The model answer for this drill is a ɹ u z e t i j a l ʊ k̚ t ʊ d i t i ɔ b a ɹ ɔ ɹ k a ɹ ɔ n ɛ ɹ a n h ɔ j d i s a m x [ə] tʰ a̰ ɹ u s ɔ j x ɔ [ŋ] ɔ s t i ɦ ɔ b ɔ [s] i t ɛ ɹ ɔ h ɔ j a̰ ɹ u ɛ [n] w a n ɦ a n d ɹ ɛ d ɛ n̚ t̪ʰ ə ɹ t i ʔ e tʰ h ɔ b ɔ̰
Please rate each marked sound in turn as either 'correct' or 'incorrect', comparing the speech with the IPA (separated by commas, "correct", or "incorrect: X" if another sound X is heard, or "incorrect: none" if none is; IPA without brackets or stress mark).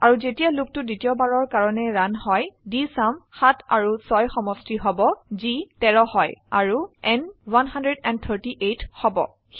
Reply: incorrect: a, incorrect: m, incorrect: z, correct